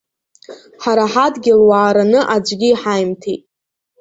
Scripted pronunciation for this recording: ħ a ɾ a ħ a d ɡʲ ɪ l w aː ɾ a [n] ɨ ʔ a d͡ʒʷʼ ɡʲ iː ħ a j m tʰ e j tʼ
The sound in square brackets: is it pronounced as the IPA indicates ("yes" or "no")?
yes